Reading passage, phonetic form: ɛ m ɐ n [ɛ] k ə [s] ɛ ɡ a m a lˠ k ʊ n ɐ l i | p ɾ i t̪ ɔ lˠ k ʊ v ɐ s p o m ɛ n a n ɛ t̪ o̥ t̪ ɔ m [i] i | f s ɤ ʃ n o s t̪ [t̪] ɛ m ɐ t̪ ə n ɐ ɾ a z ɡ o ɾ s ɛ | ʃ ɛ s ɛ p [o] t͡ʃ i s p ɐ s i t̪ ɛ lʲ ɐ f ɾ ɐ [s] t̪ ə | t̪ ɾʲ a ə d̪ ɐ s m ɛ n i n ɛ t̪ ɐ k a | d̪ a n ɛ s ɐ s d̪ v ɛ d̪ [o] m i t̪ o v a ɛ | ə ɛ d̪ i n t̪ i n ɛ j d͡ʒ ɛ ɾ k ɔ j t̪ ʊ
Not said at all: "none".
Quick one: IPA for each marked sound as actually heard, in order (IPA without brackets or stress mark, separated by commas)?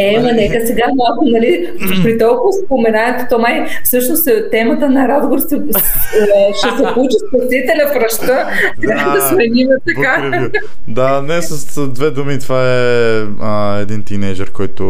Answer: ɛ, s, a, t̪, u, ʃ, u